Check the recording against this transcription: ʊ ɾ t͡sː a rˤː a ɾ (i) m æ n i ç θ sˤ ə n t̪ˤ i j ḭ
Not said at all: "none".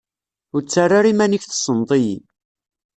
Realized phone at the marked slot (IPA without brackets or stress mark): i